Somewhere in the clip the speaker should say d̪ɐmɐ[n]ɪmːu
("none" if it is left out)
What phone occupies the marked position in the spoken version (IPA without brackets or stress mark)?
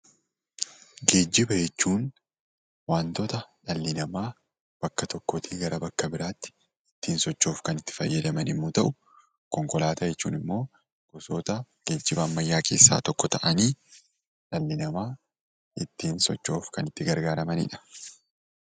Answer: n